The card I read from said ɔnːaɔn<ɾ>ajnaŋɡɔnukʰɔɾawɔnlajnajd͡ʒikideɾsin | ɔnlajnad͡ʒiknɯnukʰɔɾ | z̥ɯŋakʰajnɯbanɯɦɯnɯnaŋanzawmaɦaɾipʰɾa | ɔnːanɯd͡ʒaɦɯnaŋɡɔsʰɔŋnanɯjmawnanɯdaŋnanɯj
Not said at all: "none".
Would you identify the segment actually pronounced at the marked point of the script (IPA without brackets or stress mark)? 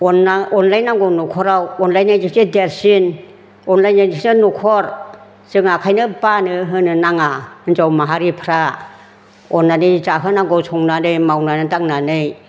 l